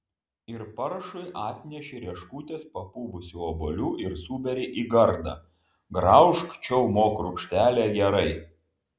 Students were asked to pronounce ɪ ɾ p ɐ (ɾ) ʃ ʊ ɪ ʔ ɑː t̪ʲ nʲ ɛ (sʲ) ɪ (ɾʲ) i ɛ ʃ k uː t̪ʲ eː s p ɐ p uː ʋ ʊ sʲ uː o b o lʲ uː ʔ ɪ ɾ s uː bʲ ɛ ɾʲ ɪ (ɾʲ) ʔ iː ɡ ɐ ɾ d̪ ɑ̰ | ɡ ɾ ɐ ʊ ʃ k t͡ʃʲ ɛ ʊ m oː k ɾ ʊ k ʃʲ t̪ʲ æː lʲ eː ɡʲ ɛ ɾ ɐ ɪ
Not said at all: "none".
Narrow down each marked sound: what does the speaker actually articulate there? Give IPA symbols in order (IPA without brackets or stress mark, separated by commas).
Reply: ɾ, ʃʲ, ɾʲ, none